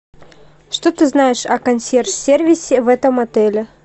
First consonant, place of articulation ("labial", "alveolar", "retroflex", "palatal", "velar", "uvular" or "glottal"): retroflex